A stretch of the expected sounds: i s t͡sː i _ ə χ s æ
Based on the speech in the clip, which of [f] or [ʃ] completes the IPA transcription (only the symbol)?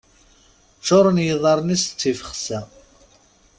f